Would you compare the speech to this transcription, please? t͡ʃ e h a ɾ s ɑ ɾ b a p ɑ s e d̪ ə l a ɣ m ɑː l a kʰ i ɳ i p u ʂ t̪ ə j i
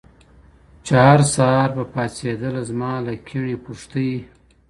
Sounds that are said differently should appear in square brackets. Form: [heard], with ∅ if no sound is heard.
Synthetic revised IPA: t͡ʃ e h a ɾ s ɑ ɾ b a p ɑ s e d̪ ə l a [z] m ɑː l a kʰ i ɳ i p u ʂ t̪ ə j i